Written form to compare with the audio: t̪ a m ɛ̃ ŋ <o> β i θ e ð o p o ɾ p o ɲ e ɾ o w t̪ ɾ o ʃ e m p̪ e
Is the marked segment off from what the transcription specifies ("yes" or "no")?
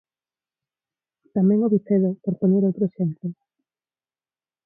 no